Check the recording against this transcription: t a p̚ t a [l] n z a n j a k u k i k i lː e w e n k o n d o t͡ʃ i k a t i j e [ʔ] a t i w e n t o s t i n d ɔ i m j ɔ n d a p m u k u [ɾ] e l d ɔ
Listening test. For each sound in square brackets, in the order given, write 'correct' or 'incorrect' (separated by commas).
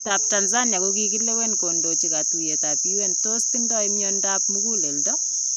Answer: incorrect, incorrect, incorrect